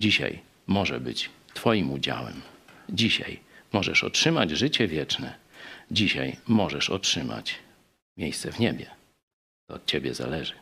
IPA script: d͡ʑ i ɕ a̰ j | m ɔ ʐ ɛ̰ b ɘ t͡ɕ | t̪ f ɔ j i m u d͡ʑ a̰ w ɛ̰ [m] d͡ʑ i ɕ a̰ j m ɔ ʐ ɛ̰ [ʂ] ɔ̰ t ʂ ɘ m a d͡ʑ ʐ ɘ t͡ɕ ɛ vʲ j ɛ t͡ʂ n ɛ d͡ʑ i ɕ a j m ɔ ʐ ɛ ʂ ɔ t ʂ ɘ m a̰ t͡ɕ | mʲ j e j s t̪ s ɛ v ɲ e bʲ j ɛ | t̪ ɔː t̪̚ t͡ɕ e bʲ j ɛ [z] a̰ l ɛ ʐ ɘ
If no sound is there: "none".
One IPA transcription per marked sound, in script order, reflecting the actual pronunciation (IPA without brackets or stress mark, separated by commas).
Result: m, ʂ, z